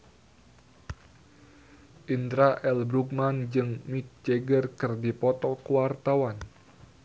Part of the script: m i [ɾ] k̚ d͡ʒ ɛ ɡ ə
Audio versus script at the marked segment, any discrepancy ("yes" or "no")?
yes